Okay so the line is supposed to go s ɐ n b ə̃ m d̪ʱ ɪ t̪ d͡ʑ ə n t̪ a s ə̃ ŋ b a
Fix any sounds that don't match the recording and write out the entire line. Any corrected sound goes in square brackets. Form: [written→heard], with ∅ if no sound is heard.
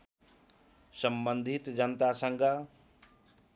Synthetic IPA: s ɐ [n→m] b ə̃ [m→n] d̪ʱ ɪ t̪ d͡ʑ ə n t̪ a s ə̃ ŋ [b→ɡ] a